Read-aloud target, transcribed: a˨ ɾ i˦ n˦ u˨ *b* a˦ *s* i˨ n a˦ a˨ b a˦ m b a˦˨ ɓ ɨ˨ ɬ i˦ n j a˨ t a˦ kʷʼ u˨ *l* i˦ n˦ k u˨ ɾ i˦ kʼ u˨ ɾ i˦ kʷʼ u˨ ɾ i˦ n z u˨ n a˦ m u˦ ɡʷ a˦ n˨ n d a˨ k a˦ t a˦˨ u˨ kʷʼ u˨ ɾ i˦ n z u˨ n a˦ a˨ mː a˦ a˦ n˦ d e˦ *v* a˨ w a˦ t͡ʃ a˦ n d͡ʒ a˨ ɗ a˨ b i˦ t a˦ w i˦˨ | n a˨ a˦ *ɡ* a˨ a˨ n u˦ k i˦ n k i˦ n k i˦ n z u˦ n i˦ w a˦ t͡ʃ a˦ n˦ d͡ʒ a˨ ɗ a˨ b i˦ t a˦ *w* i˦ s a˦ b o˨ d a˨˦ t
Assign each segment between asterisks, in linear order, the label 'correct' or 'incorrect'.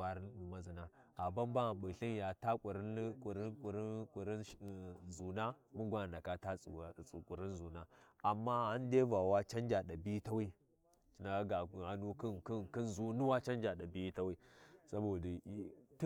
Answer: incorrect: m, incorrect: z, incorrect: ɾ, correct, correct, correct

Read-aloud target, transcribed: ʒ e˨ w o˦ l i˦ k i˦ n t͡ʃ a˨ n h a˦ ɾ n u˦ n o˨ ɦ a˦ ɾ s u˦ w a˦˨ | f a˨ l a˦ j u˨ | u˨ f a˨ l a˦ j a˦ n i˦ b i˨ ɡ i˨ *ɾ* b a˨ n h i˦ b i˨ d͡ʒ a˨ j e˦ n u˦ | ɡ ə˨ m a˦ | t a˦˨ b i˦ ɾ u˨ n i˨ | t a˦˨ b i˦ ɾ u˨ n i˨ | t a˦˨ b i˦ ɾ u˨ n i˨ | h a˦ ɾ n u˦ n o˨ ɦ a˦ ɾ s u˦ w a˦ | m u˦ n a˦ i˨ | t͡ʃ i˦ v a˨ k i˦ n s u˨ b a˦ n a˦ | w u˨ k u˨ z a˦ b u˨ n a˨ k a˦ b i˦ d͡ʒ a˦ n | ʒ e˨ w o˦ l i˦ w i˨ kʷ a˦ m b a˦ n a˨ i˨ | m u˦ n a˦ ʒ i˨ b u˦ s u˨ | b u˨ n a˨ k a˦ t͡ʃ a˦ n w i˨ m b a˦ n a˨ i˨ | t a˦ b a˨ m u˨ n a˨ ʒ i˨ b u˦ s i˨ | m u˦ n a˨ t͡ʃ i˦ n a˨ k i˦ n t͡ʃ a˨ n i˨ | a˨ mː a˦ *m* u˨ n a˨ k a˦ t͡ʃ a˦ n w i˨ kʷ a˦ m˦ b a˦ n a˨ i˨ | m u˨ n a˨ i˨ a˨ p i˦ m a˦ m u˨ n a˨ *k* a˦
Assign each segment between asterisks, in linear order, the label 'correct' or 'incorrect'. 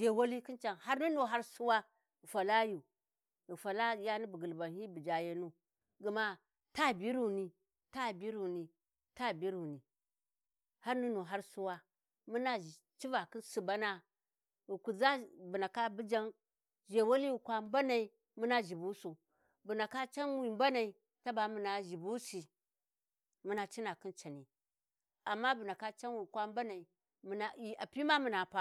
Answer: incorrect: l, incorrect: b, incorrect: p

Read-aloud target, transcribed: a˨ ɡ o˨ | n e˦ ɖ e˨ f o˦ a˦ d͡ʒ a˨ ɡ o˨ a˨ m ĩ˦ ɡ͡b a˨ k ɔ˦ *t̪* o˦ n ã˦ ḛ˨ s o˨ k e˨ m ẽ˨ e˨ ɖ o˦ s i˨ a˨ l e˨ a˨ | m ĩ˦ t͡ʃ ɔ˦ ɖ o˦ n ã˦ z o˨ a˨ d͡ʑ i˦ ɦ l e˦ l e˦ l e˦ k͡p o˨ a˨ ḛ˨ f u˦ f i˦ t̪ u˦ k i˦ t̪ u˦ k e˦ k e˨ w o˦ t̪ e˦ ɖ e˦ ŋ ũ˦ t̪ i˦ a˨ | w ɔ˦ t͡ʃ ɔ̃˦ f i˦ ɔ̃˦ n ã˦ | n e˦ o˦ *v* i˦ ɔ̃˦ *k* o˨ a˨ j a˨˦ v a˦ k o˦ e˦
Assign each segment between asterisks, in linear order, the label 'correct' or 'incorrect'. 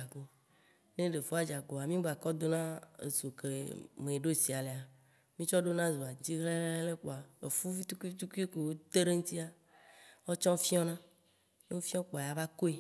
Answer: incorrect: d̪, incorrect: f, incorrect: k͡p

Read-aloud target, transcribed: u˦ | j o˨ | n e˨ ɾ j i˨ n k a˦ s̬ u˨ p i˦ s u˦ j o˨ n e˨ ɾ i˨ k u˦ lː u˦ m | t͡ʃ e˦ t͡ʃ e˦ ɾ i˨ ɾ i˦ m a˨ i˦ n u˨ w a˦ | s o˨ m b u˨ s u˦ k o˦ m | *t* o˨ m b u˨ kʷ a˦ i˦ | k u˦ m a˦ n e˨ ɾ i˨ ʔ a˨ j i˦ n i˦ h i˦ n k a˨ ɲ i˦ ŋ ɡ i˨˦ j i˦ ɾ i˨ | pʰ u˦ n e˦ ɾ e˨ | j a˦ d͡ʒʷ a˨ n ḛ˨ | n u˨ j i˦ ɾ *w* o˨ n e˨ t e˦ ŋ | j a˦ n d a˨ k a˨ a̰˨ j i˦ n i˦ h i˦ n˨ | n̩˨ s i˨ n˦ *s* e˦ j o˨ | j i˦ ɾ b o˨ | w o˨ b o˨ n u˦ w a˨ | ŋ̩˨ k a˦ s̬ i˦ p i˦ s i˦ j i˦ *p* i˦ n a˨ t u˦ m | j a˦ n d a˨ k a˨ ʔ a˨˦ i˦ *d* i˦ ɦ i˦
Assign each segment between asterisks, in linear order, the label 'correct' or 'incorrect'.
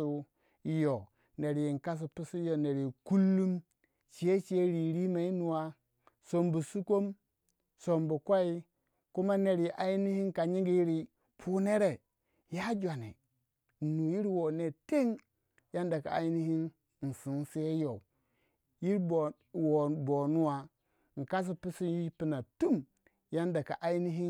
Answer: incorrect: s, correct, correct, correct, incorrect: n

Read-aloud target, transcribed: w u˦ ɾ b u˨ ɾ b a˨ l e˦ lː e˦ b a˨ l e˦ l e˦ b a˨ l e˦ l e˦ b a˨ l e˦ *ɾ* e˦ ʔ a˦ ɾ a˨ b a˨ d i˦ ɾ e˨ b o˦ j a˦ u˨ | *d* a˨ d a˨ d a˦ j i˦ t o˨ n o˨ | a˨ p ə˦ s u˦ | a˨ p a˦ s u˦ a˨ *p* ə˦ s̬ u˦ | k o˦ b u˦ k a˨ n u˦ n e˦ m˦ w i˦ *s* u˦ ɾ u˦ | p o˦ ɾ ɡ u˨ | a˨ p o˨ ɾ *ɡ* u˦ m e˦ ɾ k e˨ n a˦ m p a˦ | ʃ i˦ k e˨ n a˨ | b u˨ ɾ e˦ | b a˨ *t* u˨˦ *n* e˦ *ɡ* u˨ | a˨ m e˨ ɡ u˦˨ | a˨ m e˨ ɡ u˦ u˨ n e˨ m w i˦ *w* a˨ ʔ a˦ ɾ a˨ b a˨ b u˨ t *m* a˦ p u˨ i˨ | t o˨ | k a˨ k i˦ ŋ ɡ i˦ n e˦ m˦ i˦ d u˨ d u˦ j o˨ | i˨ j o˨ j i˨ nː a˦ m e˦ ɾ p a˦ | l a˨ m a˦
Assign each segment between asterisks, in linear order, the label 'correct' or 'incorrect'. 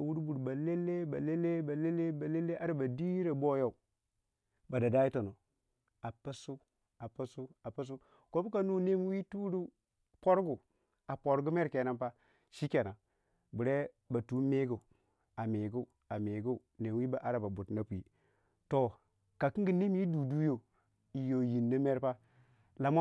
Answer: incorrect: l, incorrect: b, correct, incorrect: t, correct, correct, incorrect: m, correct, incorrect: b, incorrect: n

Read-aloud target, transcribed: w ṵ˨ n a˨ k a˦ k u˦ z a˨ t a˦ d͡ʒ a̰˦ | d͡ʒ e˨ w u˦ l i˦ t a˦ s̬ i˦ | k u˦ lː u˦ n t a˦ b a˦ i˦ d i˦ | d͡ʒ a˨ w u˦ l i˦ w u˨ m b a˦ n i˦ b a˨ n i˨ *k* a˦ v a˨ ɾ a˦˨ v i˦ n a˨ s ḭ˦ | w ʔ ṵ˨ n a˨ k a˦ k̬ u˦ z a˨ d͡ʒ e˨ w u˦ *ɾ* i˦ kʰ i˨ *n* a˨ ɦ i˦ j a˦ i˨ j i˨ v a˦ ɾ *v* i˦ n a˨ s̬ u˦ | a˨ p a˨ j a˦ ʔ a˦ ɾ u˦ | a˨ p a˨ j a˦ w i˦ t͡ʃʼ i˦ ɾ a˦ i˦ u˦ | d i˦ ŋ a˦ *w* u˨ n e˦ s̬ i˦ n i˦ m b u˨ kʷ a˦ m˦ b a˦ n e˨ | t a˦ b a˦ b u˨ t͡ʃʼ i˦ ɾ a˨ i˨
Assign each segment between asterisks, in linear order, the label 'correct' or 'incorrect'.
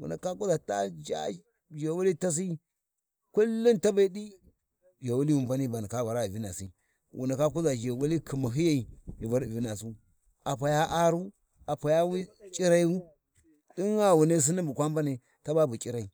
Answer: correct, incorrect: l, incorrect: m, correct, correct

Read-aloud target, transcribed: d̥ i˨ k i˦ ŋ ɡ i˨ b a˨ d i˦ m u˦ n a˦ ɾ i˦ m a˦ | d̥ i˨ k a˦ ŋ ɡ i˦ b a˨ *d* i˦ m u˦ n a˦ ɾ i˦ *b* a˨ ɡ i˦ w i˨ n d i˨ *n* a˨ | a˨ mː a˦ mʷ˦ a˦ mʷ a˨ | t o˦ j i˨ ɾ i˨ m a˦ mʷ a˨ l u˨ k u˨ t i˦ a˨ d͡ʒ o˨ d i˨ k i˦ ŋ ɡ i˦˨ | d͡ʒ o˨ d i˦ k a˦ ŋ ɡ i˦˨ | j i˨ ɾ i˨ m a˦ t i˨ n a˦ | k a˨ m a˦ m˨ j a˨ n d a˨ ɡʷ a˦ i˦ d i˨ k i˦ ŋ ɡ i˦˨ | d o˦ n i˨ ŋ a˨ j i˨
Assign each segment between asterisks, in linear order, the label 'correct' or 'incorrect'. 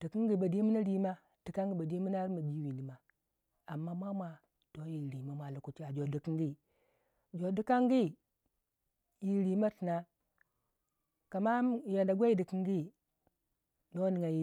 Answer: correct, incorrect: m, incorrect: m

